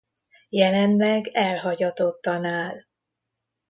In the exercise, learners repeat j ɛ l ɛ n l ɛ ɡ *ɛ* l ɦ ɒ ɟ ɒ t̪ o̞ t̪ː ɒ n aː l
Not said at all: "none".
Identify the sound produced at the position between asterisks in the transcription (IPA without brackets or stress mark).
ɛ